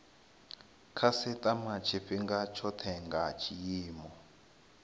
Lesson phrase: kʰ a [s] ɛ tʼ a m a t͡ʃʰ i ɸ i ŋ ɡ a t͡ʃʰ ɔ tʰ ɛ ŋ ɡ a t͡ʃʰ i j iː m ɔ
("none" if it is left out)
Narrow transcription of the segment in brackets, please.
s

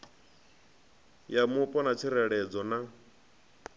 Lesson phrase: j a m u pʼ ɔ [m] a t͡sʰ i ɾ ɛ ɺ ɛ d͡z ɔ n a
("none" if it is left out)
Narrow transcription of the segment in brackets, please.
n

